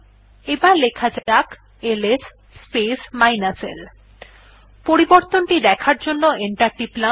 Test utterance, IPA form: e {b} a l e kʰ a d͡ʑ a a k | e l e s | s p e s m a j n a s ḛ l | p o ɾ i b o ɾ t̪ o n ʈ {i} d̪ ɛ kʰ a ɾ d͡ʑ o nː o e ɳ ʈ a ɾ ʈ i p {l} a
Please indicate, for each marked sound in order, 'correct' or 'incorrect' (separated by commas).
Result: correct, correct, correct